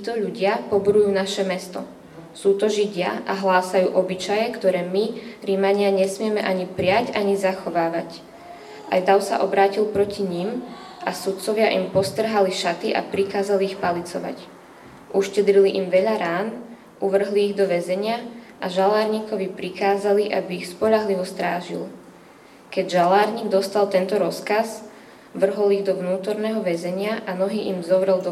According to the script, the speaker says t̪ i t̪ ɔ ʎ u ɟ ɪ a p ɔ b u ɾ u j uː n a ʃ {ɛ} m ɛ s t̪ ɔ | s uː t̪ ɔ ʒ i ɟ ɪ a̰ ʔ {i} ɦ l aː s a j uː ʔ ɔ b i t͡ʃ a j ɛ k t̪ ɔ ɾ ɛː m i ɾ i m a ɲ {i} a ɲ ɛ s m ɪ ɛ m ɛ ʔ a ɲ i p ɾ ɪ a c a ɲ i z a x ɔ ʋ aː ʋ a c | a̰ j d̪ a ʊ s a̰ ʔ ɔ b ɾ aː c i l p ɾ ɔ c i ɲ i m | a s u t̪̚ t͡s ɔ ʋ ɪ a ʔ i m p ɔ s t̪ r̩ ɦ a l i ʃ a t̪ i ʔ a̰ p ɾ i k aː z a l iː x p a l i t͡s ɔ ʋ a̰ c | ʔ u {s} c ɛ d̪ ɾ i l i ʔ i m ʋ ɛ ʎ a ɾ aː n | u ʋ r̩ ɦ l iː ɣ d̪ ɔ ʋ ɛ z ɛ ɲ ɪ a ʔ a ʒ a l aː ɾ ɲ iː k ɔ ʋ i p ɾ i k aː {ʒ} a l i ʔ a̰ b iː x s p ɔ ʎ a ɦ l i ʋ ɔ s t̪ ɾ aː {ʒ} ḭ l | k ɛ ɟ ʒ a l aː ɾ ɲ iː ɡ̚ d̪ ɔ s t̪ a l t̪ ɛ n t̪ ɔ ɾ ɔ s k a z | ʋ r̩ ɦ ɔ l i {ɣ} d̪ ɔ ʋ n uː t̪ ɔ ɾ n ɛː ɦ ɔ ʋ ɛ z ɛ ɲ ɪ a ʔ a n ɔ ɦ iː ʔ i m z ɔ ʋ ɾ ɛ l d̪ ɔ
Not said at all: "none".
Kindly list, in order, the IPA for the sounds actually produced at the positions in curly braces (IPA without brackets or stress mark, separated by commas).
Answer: ɛ, a, ɪ, ʃ, z, ʒ, ɣ